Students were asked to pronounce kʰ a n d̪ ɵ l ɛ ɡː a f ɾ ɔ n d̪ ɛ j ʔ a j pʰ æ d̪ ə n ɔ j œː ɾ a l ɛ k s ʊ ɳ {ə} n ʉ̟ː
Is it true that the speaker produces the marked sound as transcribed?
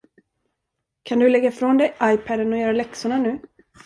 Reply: no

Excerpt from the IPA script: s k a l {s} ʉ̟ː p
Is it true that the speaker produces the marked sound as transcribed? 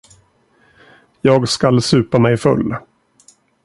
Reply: yes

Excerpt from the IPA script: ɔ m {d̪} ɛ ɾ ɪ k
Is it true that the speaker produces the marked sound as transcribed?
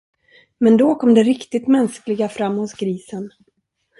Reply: yes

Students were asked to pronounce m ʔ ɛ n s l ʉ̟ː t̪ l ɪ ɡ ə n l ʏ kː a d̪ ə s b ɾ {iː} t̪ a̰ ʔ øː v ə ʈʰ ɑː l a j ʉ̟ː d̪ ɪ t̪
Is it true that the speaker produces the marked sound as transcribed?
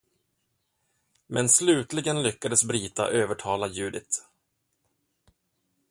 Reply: yes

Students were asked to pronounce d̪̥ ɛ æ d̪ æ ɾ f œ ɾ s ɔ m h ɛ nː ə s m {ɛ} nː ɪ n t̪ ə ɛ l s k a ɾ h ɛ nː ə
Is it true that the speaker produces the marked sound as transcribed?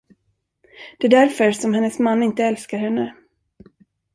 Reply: no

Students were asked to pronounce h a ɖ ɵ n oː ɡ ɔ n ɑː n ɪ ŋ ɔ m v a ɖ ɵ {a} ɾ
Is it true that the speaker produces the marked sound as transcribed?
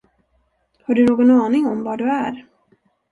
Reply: no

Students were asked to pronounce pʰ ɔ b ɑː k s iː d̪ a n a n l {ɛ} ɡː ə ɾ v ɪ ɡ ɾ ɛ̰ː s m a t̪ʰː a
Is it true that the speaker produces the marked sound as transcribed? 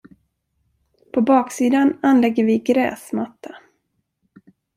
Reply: yes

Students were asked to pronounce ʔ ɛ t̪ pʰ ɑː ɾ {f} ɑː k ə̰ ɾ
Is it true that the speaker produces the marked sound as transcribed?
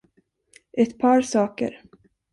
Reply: no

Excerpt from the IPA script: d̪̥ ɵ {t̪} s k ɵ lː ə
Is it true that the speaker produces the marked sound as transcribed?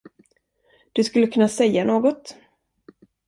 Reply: no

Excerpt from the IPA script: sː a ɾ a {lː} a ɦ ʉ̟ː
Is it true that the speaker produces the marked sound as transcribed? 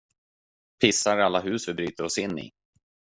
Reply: yes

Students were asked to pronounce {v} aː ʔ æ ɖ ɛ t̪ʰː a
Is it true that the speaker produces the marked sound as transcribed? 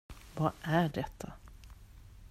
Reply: yes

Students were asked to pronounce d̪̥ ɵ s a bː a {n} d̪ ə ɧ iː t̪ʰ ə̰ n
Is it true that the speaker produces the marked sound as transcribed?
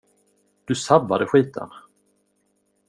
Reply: no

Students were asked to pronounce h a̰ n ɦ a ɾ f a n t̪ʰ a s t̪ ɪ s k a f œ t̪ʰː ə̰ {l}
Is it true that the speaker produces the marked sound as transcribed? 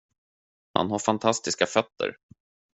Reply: no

